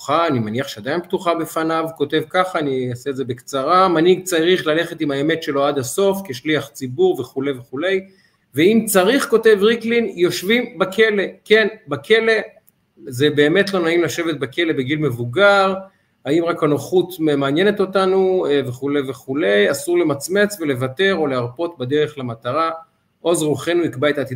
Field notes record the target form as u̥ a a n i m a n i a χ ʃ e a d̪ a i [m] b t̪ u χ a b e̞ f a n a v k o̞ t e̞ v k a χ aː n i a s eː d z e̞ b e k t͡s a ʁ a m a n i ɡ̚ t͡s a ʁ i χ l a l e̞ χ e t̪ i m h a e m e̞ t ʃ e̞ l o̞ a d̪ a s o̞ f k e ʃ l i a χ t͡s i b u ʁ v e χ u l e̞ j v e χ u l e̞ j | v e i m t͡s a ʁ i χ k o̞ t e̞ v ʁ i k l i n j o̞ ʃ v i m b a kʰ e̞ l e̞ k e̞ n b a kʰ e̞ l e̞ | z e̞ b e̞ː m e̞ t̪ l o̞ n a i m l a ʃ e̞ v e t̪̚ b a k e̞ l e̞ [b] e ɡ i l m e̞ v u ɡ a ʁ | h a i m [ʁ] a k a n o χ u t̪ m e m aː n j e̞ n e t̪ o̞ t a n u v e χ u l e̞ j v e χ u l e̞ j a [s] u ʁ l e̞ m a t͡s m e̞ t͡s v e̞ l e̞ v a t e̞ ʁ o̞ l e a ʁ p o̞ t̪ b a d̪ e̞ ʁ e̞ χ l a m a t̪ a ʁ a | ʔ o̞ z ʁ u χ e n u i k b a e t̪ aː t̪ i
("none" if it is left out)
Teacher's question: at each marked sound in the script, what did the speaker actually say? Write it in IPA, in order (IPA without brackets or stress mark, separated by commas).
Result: n, b, ʁ, s